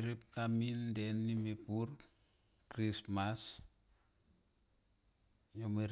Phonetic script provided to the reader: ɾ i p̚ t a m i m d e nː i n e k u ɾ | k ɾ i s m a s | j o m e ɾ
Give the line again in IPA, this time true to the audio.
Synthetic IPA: ɾ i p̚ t a m i n d e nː i m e p u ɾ | k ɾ i s m a s | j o m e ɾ